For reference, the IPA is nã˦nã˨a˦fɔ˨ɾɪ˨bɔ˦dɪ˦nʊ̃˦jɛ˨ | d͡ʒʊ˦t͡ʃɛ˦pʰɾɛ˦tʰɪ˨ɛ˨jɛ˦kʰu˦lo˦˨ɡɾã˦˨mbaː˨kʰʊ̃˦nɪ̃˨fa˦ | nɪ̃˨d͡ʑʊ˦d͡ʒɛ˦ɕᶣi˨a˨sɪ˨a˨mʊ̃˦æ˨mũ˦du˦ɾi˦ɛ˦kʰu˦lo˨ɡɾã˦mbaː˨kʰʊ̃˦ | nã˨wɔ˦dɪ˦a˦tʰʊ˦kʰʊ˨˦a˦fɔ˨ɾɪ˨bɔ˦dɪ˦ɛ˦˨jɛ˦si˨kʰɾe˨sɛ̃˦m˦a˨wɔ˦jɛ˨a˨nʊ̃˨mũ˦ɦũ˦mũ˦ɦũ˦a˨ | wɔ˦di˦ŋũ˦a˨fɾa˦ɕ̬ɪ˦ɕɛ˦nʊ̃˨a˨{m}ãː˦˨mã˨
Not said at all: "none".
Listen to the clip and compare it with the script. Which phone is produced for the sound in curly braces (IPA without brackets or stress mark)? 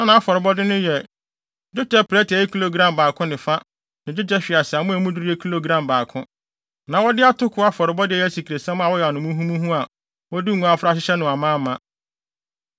m